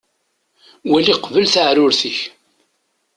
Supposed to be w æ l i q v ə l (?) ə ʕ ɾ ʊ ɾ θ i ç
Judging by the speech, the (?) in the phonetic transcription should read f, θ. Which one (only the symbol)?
θ